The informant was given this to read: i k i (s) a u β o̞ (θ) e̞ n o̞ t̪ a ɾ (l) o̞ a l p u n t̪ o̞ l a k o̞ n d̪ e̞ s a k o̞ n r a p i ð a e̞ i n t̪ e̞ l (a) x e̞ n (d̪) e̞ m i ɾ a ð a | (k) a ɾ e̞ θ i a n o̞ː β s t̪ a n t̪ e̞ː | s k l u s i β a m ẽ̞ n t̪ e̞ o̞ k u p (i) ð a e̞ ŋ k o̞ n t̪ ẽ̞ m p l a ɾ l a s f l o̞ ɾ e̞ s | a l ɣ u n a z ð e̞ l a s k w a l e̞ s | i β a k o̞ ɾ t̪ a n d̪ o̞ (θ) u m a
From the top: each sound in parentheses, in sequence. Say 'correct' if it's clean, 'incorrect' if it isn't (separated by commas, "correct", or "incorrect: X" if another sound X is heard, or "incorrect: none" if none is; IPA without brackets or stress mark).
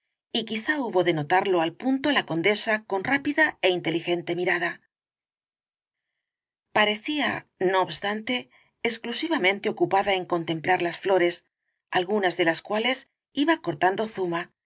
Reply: incorrect: θ, incorrect: ð, correct, incorrect: i, incorrect: t̪, incorrect: p, incorrect: a, correct